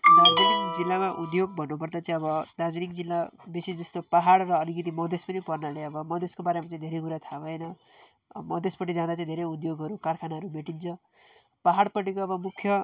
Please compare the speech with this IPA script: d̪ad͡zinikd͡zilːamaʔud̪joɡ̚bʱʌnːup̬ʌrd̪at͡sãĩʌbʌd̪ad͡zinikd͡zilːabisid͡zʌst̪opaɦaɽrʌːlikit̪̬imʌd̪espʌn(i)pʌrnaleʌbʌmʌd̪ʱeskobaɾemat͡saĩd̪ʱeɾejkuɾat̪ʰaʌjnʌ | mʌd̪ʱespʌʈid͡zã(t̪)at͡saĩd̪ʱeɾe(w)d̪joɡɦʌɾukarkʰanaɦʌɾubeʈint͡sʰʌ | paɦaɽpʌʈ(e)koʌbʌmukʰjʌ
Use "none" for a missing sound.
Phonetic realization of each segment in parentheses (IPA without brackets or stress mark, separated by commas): i, d̪, u, i